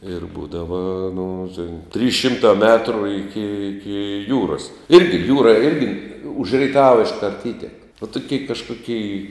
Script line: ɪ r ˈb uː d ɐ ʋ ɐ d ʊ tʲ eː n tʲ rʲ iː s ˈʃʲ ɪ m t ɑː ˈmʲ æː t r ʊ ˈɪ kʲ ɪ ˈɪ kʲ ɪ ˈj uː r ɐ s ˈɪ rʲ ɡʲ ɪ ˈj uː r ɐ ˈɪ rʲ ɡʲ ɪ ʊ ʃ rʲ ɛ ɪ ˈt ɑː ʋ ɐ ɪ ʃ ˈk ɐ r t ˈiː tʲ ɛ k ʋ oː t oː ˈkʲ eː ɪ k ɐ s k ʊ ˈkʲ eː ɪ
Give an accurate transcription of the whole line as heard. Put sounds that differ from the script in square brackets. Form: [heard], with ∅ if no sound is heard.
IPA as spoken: ɪ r ˈb uː d ɐ ʋ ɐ [n] ʊ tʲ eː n tʲ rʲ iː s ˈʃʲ ɪ m t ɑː ˈmʲ æː t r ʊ ˈɪ kʲ ɪ ˈɪ kʲ ɪ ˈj uː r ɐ s ˈɪ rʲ ɡʲ ɪ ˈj uː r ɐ ˈɪ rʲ ɡʲ ɪ ʊ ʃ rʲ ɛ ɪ ˈt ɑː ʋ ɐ ɪ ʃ ˈk ɐ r t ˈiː tʲ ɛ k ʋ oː t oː ˈkʲ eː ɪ k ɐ [ʃ] k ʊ ˈkʲ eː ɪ